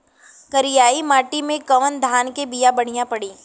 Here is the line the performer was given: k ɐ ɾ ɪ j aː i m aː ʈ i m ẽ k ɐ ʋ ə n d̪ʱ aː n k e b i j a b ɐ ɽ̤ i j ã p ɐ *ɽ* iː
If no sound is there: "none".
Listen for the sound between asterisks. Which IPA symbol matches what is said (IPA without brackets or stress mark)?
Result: ɽ